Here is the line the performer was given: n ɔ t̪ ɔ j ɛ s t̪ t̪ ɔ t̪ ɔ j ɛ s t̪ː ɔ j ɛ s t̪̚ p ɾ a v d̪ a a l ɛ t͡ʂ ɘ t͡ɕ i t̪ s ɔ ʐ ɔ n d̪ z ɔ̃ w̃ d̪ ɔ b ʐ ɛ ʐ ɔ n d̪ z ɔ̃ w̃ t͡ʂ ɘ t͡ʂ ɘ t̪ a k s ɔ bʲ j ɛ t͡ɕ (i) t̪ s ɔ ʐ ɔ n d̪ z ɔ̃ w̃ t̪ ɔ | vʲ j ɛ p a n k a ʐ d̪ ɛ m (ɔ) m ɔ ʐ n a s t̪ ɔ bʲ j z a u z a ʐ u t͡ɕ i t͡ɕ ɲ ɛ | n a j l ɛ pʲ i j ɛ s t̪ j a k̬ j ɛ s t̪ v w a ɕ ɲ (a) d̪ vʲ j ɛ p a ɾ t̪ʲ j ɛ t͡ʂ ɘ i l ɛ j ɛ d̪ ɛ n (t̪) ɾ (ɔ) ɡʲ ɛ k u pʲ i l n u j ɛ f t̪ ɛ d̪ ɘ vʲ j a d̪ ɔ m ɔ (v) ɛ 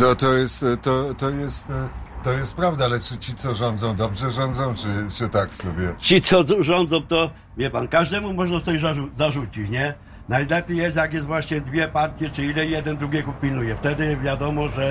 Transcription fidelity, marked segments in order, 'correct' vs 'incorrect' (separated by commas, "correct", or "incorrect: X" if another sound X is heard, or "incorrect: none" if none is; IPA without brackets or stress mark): correct, incorrect: u, incorrect: ɛ, incorrect: d̪, incorrect: u, incorrect: ʐ